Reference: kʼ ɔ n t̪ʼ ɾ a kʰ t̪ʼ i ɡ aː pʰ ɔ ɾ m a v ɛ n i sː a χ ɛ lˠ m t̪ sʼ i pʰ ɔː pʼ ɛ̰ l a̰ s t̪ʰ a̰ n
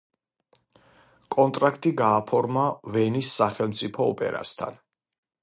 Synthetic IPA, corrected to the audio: kʼ ɔ n t̪ʼ ɾ a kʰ t̪ʼ i ɡ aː pʰ ɔ ɾ m a v ɛ n i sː a χ ɛ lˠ m t̪ sʼ i pʰ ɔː pʼ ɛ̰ ɾ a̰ s t̪ʰ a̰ n